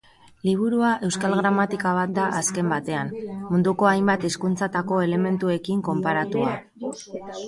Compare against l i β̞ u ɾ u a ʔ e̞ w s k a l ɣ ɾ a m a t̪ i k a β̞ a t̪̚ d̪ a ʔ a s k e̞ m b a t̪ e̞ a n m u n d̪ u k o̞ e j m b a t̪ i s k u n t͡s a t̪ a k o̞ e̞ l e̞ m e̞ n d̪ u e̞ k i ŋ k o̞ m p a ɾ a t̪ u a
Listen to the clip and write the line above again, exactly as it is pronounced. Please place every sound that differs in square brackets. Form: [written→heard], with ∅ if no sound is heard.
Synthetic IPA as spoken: l i β̞ u ɾ u a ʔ e̞ w s k a l ɣ ɾ a m a t̪ i k a β̞ a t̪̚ d̪ a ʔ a s k e̞ m b a t̪ e̞ a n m u n d̪ u k o̞ [e→a] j m b a t̪ i s k u n t͡s a t̪ a k o̞ e̞ l e̞ m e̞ n [d̪→t̪] u e̞ k i ŋ k o̞ m p a ɾ a t̪ u a